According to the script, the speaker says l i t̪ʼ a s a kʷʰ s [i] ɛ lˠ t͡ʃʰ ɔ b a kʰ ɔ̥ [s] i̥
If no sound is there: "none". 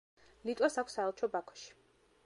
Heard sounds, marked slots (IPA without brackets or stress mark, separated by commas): a, ʃ